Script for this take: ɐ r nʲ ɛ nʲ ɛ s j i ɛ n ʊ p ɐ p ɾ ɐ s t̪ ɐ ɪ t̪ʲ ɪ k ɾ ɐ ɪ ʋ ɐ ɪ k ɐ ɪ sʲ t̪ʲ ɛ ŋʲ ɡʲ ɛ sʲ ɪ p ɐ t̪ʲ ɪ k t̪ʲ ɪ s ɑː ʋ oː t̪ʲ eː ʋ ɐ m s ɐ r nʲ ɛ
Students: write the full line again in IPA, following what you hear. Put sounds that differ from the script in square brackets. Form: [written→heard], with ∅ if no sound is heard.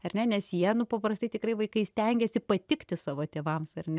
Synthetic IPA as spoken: ɐ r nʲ ɛ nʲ ɛ s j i ɛ n ʊ p ɐ p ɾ ɐ s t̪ ɐ ɪ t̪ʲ ɪ k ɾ ɐ ɪ ʋ ɐ ɪ k ɐ ɪ sʲ t̪ʲ ɛ ŋʲ ɡʲ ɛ sʲ ɪ p ɐ t̪ʲ ɪ k t̪ʲ ɪ s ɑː ʋ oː t̪ʲ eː ʋ ɐ m s ɐ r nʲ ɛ